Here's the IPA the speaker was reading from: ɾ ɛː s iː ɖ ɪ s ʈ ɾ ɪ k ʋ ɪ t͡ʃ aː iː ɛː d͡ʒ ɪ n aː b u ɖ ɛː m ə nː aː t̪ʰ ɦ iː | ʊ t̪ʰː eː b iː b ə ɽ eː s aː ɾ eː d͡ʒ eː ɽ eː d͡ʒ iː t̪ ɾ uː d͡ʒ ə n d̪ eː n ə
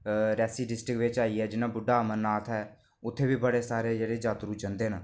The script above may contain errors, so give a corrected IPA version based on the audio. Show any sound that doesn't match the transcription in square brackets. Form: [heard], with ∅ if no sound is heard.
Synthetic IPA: ɾ ɛː s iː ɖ ɪ s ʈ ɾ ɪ k ʋ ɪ t͡ʃ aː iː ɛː d͡ʒ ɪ n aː b [ʊ] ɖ [aː] m ə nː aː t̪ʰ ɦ [ɛː] | ʊ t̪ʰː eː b iː b ə ɽ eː s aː ɾ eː d͡ʒ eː ɽ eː d͡ʒ [aː] t̪ ɾ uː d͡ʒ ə n d̪ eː n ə

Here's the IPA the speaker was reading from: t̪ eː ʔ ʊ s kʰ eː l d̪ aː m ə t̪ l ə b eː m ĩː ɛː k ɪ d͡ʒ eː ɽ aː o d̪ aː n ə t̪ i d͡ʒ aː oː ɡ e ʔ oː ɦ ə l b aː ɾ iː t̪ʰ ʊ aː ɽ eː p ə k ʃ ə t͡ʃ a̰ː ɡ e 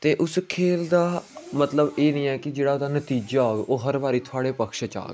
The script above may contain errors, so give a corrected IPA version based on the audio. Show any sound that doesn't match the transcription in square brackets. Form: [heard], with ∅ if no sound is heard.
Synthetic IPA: t̪ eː ʔ ʊ s kʰ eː l d̪ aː m ə t̪ l ə b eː [n] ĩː ɛː k ɪ d͡ʒ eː ɽ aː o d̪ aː n ə t̪ [iː] d͡ʒ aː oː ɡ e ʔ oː ɦ ə [ɾ] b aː ɾ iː t̪ʰ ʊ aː ɽ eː p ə k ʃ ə t͡ʃ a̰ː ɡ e

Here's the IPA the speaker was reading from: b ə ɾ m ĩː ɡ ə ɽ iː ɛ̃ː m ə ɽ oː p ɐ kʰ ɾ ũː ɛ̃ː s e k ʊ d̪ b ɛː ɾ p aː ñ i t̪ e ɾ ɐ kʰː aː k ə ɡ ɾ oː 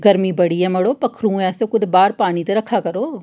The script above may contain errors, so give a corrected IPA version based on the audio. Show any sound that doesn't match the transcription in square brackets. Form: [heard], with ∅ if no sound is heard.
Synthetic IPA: [ɡ] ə ɾ m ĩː [b] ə ɽ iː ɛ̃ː m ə ɽ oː p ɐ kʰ ɾ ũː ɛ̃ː s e k ʊ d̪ b [aː] ɾ p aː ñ i t̪ e ɾ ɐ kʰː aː k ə [∅] ɾ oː

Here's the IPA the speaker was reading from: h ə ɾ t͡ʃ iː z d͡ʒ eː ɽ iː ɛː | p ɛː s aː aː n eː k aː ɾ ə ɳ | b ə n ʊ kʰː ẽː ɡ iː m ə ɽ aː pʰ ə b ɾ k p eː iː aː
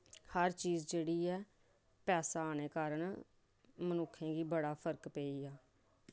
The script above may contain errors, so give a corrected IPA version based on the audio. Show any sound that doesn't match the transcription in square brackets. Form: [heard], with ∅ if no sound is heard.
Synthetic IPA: h ə ɾ t͡ʃ iː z d͡ʒ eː ɽ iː ɛː | p ɛː s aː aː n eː k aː ɾ ə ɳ | [m] ə n ʊ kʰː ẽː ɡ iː [b] ə ɽ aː pʰ ə [∅] ɾ k p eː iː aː

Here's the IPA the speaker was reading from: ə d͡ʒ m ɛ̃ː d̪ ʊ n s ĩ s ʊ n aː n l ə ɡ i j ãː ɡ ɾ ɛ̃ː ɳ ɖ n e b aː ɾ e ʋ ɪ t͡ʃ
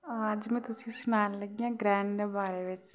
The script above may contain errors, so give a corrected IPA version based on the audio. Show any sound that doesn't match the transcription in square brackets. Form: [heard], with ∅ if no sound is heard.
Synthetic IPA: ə d͡ʒ m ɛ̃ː [t̪] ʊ [∅] s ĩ s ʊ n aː n l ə ɡ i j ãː ɡ ɾ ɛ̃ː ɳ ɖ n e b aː ɾ e ʋ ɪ t͡ʃ

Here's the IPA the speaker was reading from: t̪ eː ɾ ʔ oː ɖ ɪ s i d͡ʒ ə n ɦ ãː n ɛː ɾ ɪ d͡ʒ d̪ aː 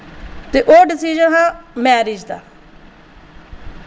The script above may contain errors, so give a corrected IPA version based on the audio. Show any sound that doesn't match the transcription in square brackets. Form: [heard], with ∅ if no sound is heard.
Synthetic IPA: t̪ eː [∅] ʔ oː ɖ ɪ s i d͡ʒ ə n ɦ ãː [m] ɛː ɾ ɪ d͡ʒ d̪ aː

